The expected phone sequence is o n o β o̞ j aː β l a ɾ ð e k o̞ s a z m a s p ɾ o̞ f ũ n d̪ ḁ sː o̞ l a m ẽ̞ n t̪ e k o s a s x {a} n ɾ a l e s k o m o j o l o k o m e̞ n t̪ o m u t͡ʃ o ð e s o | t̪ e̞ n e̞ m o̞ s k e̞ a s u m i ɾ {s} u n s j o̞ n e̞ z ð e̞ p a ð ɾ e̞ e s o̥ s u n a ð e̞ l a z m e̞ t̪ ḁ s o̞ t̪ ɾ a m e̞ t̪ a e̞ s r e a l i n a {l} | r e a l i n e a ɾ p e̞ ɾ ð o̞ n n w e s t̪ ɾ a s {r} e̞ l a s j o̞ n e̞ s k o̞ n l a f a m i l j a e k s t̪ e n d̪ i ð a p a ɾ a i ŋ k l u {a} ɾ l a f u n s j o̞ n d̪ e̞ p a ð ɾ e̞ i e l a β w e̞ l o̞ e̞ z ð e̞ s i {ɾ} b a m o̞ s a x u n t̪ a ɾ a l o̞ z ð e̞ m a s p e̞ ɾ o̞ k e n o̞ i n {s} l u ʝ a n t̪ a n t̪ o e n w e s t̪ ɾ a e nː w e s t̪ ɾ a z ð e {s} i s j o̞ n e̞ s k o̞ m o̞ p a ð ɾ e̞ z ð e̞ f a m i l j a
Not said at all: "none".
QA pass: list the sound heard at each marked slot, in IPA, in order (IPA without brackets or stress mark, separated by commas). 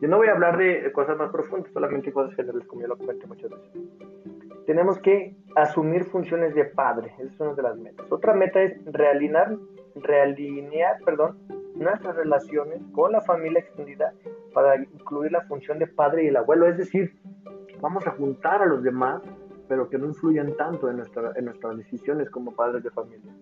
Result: e, f, ɾ, r, i, ɾ, f, s